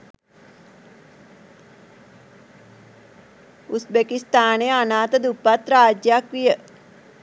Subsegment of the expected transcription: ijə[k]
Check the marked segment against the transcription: incorrect: none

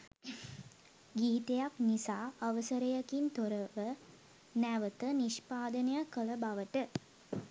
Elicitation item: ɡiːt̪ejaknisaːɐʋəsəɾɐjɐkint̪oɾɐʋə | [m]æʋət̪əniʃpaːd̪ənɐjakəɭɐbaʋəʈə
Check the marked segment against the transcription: incorrect: n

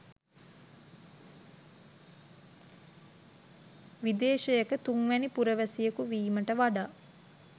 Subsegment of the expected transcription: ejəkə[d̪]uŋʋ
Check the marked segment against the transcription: incorrect: t̪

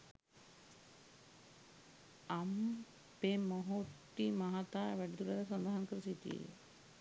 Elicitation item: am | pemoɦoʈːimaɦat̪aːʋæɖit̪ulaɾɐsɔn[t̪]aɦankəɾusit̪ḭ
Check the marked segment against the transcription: incorrect: d̪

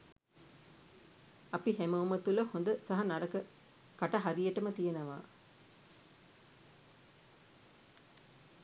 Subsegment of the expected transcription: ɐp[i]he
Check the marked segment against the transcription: correct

